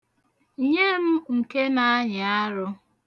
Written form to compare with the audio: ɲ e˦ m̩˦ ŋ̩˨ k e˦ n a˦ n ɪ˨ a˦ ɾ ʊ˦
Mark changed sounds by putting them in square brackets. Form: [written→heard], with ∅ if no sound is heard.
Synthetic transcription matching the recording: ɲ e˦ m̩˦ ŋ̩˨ k e˦ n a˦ [n→ɲ] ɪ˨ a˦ ɾ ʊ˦